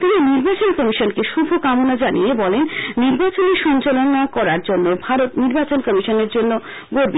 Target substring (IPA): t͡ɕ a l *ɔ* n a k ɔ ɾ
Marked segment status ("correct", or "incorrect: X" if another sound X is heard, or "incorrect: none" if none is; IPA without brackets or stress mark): incorrect: o